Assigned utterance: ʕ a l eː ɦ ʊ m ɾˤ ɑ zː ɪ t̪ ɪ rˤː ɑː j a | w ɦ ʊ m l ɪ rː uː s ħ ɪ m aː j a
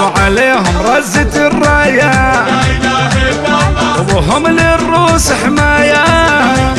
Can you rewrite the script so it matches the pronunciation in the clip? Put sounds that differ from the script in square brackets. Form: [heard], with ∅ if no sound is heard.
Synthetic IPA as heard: ʕ a l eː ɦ ʊ m ɾˤ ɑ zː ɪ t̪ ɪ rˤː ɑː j a | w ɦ ʊ m l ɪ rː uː s ħ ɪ m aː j a